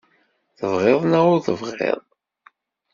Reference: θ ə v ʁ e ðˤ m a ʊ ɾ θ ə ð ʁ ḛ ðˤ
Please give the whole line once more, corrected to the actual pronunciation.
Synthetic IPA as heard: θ ə v ʁ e ðˤ n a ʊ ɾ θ ə v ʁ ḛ ðˤ